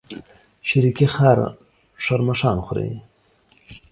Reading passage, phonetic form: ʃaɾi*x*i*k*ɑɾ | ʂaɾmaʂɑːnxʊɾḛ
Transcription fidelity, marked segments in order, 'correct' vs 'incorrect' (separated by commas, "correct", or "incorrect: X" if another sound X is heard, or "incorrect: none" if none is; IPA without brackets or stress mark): incorrect: k, incorrect: x